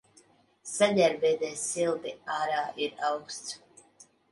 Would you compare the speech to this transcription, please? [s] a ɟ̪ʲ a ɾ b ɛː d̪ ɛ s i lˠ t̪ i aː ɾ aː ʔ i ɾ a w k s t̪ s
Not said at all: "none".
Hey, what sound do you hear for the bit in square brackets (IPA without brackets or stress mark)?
s